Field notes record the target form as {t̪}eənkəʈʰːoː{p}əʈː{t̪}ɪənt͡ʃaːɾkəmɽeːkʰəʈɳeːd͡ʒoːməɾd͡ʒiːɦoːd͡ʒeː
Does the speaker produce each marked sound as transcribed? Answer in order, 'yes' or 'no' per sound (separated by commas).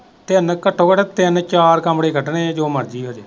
yes, no, yes